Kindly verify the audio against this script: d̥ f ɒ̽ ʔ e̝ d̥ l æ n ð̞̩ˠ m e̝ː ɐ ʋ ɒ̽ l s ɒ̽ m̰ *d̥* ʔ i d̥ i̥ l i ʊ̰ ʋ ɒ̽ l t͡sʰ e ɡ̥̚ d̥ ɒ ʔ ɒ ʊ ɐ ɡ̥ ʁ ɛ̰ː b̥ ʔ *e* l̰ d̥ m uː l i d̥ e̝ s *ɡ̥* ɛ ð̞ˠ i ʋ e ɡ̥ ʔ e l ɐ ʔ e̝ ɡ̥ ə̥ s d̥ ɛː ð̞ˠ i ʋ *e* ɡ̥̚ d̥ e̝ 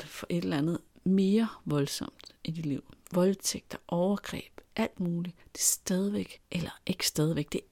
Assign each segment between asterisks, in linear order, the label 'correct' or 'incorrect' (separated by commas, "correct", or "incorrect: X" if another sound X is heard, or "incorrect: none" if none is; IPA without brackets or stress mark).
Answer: correct, incorrect: æ, incorrect: d̥, correct